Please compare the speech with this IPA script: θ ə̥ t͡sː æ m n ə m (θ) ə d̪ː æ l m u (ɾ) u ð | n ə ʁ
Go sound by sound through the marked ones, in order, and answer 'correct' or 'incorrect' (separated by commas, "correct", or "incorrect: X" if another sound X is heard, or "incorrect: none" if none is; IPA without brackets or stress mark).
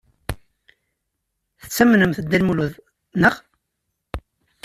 correct, incorrect: l